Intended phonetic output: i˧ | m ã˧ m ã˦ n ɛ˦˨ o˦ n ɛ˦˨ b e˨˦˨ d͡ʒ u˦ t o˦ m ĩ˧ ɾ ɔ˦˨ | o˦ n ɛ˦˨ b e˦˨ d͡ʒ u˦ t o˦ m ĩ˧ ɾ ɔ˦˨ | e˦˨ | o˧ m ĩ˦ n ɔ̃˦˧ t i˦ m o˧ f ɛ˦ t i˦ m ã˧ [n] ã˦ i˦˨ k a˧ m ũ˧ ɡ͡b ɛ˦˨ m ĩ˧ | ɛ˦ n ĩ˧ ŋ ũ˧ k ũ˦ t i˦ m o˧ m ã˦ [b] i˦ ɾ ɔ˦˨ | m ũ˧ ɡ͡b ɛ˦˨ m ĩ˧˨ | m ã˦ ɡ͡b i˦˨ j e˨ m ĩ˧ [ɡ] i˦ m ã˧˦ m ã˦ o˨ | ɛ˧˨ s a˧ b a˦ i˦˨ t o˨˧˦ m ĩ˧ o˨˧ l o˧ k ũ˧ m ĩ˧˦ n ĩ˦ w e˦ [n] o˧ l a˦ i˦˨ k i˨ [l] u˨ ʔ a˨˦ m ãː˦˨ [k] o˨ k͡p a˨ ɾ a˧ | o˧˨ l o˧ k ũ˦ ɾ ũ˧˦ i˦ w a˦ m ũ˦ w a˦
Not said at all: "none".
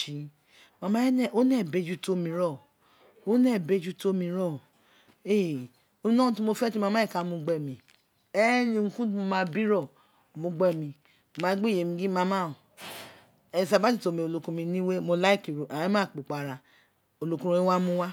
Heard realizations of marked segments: m, b, ɡ, m, ɾ, k͡p

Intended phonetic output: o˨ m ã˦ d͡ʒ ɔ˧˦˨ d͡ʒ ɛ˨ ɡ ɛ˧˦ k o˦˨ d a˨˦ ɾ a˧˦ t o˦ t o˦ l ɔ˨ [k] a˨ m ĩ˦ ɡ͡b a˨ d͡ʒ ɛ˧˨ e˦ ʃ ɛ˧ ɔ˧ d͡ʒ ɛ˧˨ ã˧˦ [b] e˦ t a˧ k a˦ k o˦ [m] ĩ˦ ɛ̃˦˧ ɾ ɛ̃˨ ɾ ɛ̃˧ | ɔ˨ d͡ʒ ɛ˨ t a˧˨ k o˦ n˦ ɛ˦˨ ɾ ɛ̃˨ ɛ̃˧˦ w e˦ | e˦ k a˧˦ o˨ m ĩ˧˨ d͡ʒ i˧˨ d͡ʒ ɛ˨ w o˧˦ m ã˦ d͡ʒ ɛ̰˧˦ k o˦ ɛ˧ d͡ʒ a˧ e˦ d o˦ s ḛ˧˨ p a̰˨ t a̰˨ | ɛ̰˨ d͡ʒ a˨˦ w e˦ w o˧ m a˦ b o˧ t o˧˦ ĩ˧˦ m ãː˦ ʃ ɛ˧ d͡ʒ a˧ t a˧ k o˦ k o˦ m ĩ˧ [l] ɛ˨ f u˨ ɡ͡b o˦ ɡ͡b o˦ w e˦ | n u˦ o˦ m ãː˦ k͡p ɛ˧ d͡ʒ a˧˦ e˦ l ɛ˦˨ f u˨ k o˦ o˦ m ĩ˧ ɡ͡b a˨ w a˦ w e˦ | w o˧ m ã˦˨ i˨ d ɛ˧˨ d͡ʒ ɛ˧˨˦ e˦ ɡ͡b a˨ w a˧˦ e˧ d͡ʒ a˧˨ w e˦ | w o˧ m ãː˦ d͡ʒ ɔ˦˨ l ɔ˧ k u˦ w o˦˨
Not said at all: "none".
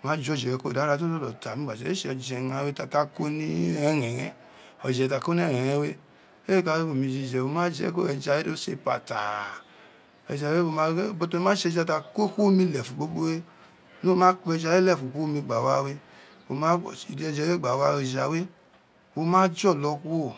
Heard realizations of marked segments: t, w, n, l

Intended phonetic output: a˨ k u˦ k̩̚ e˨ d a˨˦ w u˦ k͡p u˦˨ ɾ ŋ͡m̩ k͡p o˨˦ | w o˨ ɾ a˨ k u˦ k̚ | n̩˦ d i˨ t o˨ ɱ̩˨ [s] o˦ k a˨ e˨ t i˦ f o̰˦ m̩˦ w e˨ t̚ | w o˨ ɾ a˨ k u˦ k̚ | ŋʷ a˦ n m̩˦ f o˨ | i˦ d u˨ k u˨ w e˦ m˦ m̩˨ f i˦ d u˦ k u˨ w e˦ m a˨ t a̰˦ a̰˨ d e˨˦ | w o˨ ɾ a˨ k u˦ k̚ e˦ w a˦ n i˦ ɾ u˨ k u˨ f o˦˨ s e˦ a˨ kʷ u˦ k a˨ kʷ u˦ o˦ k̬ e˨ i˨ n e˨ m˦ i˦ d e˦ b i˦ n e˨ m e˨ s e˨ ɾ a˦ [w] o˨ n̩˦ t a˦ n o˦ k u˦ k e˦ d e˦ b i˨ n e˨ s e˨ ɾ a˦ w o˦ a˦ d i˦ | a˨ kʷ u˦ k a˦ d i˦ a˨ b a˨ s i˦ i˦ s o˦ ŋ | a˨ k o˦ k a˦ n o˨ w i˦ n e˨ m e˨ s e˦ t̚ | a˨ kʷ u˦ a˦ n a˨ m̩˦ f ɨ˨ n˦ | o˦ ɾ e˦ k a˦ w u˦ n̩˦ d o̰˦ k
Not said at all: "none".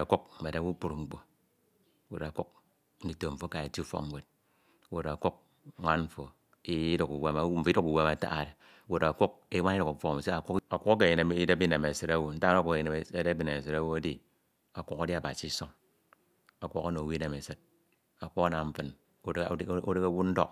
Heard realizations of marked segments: f, w

